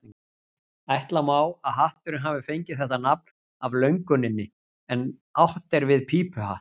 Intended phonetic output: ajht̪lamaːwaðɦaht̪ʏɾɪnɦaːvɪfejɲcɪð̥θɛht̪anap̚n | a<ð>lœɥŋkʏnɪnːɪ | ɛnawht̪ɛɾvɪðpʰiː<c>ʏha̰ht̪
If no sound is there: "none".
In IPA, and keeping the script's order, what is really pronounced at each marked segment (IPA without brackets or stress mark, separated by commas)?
v, p